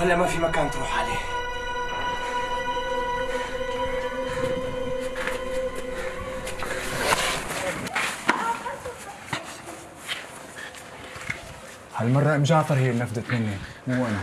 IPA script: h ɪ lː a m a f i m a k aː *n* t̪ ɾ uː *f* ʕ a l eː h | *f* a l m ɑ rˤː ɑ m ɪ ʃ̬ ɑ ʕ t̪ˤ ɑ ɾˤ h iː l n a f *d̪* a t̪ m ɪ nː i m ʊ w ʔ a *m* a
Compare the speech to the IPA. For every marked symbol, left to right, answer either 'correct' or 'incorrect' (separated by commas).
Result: correct, incorrect, incorrect, correct, incorrect